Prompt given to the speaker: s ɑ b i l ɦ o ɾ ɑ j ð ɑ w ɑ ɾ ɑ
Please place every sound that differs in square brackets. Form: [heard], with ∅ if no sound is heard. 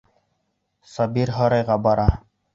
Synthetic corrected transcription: s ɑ b i [ɾ] ɦ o ɾ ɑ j [ʁ] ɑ [b] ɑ ɾ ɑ